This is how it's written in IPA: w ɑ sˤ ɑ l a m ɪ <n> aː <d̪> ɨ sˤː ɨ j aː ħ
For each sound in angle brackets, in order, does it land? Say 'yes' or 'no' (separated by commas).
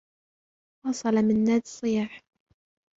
no, yes